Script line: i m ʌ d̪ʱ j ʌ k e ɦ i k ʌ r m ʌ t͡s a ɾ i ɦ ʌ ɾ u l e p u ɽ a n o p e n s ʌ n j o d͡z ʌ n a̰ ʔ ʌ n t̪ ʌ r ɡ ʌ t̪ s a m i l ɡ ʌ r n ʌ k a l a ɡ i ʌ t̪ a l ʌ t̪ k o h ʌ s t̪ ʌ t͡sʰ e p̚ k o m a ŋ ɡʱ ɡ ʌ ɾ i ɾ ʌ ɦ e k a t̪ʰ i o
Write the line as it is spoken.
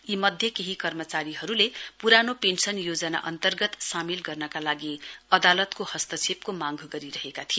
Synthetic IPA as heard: i m ʌ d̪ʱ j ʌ k e ɦ i k ʌ r m ʌ t͡s a ɾ i ɦ ʌ ɾ u l e p u ɾ a n o p e n s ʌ n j o d͡z ʌ n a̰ ʔ ʌ n t̪ ʌ r ɡ ʌ t̪ s a m i l ɡ ʌ r n ʌ k a l a ɡ i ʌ d̪ a l ʌ t̪ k o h ʌ s t̪ ʌ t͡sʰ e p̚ k o m a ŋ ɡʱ ɡ ʌ ɾ i ɾ ʌ ɦ e k a t̪ʰ i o